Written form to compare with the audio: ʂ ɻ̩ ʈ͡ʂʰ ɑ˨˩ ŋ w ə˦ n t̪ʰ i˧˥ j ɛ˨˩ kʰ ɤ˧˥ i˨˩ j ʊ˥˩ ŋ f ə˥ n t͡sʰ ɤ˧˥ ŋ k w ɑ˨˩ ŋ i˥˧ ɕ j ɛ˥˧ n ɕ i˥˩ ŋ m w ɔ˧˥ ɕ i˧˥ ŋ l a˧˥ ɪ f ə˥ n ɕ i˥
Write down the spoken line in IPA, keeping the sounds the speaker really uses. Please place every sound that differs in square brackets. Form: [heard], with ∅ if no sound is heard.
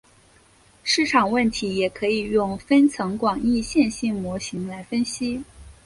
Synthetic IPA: ʂ ɻ̩ ʈ͡ʂʰ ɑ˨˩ ŋ w [ə˥˩] n t̪ʰ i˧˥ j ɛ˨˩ kʰ ɤ˧˥ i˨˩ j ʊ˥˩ ŋ f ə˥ n t͡sʰ ɤ˧˥ ŋ k w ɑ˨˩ ŋ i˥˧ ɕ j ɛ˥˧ n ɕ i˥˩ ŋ m w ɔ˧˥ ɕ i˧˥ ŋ l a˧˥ ɪ f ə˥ n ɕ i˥